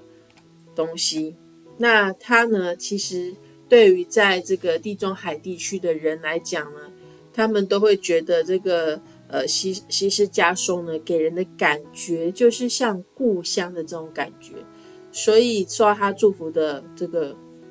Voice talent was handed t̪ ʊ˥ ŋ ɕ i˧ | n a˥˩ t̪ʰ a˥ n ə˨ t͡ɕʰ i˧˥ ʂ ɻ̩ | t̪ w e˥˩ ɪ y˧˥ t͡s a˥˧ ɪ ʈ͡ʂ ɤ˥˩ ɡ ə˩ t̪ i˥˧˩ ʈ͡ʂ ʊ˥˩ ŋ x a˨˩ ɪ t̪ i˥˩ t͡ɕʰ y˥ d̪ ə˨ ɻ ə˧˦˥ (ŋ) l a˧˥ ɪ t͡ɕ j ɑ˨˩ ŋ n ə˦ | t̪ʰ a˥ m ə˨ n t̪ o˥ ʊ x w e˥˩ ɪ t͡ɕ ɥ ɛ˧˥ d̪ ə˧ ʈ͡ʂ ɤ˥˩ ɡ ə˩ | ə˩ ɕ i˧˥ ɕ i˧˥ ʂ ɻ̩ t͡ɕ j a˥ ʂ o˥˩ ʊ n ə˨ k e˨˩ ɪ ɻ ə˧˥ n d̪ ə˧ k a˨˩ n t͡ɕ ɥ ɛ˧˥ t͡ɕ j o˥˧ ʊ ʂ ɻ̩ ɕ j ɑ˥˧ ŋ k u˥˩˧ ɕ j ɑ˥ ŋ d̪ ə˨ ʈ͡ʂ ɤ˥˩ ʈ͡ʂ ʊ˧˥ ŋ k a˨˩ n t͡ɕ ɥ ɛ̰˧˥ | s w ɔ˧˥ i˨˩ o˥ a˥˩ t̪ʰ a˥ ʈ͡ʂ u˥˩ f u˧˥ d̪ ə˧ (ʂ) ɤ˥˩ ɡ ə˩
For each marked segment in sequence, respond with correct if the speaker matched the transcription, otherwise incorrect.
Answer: incorrect, incorrect

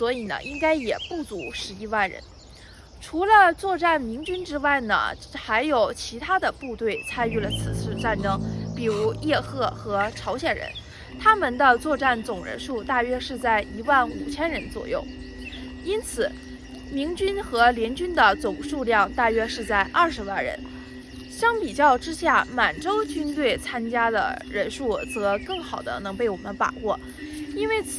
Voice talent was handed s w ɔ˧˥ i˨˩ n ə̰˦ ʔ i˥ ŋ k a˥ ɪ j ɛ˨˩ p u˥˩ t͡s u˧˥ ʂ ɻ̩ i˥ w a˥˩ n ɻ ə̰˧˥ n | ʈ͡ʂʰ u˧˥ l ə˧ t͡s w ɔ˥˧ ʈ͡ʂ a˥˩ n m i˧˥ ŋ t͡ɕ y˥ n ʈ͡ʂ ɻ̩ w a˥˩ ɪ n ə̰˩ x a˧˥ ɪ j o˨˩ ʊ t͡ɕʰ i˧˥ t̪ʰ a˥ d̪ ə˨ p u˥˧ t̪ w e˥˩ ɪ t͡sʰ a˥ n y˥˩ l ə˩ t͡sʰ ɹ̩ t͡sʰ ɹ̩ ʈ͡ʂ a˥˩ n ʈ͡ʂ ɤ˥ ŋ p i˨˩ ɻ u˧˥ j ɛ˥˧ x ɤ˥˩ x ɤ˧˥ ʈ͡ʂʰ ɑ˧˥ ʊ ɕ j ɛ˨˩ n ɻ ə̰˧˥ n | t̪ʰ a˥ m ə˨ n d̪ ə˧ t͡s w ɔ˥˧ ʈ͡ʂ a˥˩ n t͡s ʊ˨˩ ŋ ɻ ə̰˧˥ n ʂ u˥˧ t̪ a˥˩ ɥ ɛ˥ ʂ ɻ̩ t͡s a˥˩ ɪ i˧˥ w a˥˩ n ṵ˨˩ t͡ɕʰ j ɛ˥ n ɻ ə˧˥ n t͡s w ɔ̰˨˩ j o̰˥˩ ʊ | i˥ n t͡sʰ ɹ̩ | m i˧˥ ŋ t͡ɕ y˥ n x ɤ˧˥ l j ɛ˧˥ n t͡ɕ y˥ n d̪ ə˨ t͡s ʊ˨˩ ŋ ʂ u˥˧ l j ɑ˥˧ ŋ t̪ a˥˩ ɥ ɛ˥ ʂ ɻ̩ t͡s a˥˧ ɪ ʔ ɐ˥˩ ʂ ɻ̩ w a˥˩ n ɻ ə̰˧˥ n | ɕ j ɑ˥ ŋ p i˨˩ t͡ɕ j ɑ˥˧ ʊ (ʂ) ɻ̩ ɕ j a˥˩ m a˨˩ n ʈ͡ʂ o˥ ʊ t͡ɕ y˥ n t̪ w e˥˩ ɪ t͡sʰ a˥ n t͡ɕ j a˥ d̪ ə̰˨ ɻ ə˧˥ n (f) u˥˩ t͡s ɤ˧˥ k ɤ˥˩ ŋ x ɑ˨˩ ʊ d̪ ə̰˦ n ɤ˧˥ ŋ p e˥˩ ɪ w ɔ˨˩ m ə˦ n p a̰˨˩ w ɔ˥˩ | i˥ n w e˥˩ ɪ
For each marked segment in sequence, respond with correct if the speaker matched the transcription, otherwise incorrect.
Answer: incorrect, incorrect

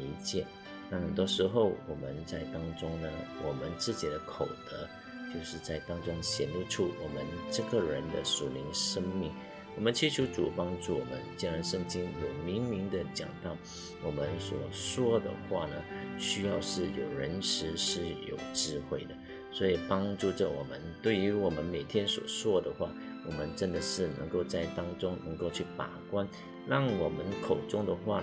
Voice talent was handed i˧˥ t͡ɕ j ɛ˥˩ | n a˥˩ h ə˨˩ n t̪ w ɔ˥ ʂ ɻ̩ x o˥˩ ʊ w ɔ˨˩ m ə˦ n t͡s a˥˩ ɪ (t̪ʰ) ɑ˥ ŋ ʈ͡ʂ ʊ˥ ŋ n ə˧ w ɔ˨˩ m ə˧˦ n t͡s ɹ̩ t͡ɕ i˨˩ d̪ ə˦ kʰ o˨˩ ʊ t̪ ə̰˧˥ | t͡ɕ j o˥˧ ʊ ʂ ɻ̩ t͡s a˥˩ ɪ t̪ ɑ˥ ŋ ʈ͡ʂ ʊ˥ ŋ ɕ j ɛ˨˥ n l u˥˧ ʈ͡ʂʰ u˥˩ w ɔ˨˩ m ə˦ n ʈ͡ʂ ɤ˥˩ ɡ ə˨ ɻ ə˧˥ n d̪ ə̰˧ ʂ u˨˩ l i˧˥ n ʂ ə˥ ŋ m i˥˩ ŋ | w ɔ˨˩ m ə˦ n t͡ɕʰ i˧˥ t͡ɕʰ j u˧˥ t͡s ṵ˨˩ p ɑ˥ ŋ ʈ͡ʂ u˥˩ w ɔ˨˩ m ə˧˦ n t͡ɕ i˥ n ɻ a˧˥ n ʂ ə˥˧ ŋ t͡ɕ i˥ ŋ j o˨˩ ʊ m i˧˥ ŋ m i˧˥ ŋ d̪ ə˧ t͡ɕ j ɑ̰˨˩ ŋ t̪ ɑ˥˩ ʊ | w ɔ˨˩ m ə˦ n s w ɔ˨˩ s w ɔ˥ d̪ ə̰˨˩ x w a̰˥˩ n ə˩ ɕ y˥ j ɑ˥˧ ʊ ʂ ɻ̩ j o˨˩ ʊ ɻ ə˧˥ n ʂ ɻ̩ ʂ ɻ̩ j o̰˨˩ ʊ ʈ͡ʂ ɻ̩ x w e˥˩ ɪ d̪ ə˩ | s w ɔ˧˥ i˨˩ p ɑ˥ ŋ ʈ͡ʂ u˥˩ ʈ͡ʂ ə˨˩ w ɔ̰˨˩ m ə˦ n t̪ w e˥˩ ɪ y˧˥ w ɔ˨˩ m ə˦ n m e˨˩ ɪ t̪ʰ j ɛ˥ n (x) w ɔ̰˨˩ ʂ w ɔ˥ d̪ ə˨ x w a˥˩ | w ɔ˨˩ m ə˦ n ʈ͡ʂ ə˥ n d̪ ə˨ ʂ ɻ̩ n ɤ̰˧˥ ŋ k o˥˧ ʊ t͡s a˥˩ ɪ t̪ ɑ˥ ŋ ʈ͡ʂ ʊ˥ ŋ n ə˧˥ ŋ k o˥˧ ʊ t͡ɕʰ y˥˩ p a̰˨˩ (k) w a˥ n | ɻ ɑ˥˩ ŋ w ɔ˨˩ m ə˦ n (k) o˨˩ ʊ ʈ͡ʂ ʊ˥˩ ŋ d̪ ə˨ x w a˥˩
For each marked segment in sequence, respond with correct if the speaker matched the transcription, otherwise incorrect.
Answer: incorrect, incorrect, correct, incorrect

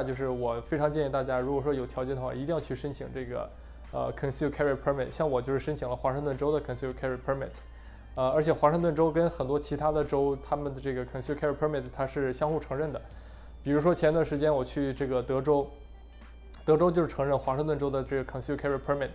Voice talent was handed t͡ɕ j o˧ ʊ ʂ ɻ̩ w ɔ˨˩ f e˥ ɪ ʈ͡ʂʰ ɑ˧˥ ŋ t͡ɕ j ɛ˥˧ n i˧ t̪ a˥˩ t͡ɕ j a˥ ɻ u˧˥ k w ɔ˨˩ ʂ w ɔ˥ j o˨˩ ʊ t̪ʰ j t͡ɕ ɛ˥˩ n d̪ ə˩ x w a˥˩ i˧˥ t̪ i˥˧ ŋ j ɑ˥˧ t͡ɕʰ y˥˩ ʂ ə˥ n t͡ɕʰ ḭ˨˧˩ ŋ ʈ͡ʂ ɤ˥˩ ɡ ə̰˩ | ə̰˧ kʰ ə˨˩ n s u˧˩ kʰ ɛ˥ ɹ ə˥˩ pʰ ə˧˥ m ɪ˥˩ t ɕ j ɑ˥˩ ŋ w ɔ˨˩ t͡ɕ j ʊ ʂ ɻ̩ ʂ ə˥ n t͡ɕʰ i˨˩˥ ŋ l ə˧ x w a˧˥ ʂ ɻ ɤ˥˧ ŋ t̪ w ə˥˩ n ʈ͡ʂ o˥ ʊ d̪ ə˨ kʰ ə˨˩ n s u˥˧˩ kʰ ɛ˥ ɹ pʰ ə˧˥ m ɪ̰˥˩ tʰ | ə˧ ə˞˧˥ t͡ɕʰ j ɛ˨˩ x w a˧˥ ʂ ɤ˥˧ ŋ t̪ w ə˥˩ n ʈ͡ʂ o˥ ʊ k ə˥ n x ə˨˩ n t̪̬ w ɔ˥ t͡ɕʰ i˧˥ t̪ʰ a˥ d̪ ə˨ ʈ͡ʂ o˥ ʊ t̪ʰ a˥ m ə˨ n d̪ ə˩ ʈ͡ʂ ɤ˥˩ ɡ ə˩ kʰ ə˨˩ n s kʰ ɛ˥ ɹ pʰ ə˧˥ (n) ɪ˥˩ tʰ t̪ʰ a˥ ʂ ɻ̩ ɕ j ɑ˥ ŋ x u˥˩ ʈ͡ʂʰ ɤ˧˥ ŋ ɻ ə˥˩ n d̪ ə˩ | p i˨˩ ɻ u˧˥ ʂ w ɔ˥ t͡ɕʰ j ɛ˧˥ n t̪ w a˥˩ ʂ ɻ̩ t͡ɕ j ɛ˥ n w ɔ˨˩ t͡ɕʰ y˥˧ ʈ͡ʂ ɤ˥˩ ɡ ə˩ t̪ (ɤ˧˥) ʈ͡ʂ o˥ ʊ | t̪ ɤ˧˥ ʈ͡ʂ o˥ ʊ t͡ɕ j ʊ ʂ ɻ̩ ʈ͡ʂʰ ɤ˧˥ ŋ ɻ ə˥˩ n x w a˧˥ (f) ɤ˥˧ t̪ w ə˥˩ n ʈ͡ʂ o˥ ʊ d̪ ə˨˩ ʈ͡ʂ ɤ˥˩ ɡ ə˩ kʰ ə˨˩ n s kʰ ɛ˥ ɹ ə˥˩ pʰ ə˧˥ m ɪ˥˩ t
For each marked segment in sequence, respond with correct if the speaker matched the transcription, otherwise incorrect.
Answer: incorrect, correct, incorrect

